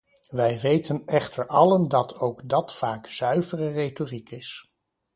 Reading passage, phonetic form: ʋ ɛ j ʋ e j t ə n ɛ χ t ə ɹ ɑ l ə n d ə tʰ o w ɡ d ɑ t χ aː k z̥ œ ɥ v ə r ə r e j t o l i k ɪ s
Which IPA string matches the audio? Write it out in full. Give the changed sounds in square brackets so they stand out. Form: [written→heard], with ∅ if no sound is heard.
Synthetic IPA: ʋ ɛ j ʋ e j t ə n ɛ χ t ə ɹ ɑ l ə n d [ə→ɑ] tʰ o w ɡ d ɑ t [χ→f] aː k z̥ œ ɥ v ə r ə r e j t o [l→r] i k ɪ s